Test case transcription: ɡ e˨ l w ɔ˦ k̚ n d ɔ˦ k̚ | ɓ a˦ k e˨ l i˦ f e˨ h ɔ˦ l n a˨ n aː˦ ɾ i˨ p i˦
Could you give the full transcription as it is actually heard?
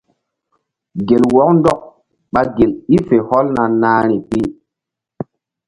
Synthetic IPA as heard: ɡ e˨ l w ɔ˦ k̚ n d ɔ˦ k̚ | ɓ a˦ ɡ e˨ l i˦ f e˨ h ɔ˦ l n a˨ n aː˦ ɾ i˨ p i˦